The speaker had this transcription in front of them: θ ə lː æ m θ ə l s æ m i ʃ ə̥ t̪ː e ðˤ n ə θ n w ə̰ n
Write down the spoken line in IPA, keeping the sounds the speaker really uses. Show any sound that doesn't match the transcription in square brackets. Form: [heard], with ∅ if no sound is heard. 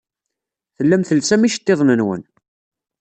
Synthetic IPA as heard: θ ə lː æ m θ ə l s æ m i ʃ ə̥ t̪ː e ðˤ n ə [∅] n w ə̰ n